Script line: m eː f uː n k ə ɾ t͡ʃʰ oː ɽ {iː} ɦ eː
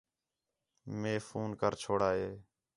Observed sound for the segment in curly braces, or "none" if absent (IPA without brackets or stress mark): aː